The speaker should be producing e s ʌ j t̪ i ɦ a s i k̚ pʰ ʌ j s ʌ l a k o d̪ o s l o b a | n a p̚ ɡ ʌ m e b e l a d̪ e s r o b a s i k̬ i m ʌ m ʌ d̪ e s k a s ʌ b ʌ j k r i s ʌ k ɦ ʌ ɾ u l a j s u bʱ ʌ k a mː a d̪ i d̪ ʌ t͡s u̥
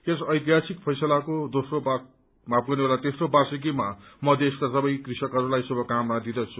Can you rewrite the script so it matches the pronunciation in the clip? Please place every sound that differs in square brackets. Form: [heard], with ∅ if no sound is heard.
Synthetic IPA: e s ʌ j t̪ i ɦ a s i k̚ pʰ ʌ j s ʌ l a k o d̪ o s [r] o b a | [m] a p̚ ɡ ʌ [n] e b e l a [t̪] e s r o b a s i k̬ i m [a] m ʌ d̪ e s k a s ʌ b ʌ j k r i s ʌ k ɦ ʌ ɾ u l a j s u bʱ ʌ k a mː a d̪ i d̪ ʌ [t͡sʰ] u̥